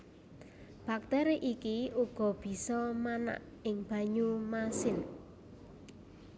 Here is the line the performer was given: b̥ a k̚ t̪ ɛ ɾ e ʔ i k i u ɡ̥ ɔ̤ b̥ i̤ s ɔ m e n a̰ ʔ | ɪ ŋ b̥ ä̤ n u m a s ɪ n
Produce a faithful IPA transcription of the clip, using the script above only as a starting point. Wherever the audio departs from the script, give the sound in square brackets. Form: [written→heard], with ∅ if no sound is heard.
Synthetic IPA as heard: b̥ a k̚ t̪ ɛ ɾ e ʔ i k i u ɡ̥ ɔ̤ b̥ i̤ s ɔ m [e→a] n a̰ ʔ | ɪ ŋ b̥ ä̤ [n→ɲ] u m a s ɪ n